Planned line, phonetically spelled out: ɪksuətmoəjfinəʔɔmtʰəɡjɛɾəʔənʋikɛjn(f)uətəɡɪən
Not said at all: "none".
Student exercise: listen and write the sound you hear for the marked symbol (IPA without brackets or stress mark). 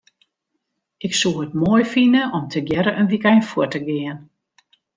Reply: f